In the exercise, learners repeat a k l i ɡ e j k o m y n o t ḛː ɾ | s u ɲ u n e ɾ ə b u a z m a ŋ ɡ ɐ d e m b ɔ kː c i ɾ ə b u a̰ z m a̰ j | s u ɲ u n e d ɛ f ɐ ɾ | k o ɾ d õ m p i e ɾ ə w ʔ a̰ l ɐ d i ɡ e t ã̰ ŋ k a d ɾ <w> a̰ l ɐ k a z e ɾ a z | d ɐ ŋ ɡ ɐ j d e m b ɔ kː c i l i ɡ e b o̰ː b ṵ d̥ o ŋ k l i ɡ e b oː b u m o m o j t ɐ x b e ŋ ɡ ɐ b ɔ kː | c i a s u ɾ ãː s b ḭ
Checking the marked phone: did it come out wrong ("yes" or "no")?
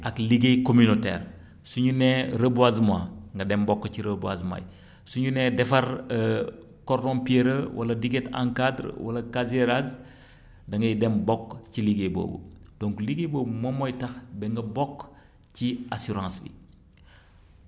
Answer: no